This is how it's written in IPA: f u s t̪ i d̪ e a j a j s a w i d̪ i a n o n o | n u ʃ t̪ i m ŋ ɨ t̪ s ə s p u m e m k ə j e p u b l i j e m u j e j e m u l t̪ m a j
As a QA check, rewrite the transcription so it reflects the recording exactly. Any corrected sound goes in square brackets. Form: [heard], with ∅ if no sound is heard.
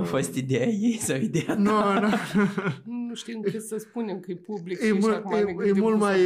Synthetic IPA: f [o] s t̪ i d̪ e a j [e] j s a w i d̪ [e] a n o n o | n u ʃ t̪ i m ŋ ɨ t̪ s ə s p u [n] e m k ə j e p u b l i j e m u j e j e m u l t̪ m a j